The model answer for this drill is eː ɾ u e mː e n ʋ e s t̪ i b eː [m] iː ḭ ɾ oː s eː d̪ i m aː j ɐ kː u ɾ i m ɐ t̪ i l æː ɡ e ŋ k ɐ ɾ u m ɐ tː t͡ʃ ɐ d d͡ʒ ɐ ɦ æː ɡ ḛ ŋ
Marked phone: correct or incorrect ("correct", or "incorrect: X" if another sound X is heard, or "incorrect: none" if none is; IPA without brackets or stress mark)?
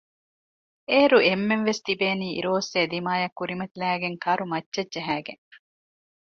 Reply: incorrect: n